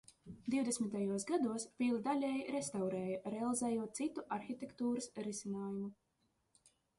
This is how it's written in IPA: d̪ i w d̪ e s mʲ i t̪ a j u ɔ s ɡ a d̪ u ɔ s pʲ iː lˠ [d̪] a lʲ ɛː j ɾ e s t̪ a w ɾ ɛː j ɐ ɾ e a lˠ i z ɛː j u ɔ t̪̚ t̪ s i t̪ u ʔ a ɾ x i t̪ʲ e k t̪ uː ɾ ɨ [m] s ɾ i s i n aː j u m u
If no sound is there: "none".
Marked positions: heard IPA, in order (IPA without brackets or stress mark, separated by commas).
d̪, none